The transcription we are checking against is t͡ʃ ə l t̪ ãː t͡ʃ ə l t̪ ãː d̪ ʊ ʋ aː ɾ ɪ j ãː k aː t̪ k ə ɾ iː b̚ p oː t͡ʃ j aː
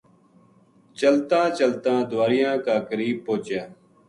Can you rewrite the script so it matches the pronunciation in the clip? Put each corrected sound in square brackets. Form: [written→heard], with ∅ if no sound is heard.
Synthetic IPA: t͡ʃ ə l t̪ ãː t͡ʃ ə l t̪ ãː d̪ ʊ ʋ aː ɾ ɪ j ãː k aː [t̪→∅] k ə ɾ iː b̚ p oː t͡ʃ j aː